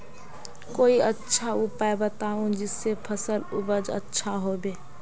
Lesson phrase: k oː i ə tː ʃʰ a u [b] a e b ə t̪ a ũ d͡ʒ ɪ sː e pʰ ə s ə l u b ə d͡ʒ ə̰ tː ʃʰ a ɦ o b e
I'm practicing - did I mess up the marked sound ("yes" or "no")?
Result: yes